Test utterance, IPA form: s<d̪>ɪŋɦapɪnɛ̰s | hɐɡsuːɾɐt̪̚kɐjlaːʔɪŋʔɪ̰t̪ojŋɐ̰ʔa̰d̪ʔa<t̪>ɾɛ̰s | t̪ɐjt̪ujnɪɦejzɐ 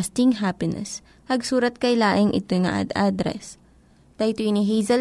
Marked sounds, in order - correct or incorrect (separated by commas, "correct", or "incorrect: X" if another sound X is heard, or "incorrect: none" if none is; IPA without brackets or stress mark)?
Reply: incorrect: t̪, incorrect: d̪